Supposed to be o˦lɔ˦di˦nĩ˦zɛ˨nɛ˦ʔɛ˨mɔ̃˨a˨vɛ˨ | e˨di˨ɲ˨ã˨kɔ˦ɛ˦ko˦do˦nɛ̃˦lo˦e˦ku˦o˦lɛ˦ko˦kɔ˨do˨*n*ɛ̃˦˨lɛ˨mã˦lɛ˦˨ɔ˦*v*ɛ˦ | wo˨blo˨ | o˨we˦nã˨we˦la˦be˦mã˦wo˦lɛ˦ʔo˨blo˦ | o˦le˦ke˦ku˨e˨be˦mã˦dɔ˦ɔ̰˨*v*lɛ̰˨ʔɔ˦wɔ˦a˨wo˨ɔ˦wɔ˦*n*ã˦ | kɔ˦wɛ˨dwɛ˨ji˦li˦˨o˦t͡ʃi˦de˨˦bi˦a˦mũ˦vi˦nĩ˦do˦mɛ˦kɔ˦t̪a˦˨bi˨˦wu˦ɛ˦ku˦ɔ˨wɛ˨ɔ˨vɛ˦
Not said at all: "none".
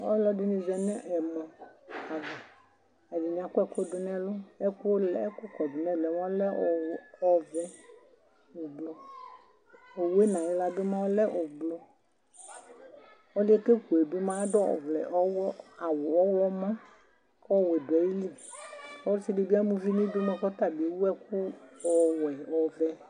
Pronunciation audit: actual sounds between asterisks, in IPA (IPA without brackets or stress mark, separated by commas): n, v, v, m